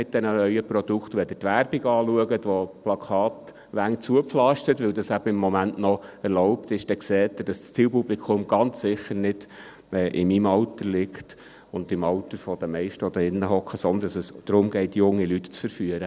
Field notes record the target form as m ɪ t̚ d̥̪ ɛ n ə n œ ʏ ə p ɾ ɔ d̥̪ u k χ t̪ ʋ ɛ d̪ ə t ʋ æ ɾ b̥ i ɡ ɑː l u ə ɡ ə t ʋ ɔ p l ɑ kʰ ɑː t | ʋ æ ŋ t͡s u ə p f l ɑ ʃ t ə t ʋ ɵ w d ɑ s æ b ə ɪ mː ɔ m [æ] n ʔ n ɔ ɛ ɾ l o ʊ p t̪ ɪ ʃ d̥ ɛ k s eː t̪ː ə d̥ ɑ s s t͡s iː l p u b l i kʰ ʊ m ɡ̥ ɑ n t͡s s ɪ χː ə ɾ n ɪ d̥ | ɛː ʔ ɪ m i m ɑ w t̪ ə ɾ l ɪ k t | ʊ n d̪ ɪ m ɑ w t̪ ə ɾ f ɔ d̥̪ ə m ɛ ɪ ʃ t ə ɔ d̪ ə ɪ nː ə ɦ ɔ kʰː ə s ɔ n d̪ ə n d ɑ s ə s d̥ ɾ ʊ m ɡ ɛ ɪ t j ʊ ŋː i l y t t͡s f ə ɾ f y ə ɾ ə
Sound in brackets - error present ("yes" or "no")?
no